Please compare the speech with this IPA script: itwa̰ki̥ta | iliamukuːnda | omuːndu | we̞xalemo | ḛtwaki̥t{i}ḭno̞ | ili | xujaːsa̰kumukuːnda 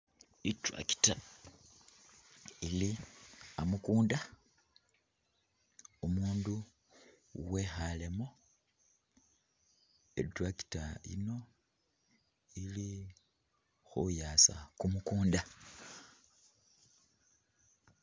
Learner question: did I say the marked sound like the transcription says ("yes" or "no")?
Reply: no